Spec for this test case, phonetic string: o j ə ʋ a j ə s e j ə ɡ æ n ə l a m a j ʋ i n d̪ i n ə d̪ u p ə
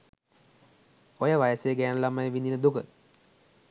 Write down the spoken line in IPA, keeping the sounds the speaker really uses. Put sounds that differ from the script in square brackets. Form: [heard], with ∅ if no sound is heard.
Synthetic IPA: o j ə ʋ a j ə s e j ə ɡ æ n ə l a m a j ʋ i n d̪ i n ə d̪ u [k] ə